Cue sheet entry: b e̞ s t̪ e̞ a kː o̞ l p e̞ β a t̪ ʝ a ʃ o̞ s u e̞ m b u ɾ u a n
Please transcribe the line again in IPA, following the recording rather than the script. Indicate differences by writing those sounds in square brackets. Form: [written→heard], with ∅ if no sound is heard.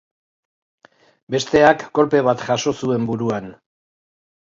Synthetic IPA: b e̞ s t̪ e̞ a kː o̞ l p e̞ β a t̪ ʝ a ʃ o̞ s u e̞ m b u ɾ u a n